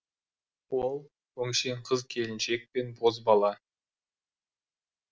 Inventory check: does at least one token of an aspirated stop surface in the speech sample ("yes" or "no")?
yes